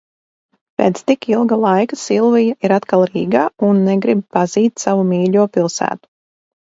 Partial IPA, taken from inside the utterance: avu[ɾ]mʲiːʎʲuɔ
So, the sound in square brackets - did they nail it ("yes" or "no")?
no